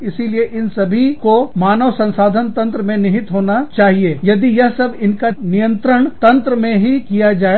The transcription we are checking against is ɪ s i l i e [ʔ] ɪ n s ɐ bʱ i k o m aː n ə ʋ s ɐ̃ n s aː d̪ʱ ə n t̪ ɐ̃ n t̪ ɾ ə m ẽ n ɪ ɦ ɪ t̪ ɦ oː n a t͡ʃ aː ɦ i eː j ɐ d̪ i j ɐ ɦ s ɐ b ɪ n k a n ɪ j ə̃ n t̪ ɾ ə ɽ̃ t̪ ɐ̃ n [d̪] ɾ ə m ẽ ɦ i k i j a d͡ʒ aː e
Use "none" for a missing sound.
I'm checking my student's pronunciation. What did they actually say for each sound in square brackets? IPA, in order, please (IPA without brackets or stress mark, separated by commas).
ʔ, t̪